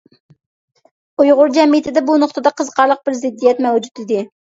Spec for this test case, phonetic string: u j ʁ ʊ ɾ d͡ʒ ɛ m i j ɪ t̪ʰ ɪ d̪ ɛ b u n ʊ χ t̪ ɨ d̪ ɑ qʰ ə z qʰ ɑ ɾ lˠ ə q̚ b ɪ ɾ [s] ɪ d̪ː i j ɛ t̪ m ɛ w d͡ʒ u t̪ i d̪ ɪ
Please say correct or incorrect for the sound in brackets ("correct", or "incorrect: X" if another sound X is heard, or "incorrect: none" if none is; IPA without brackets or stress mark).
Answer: incorrect: z